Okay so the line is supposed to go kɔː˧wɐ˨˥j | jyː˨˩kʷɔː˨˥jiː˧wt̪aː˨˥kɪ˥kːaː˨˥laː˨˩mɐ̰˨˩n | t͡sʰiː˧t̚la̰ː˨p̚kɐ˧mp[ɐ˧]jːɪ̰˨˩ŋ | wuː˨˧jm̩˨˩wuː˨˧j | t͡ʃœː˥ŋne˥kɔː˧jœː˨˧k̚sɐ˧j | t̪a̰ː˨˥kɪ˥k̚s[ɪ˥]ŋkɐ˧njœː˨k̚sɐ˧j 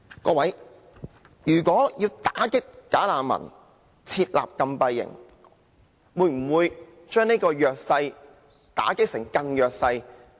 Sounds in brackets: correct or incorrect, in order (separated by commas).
correct, incorrect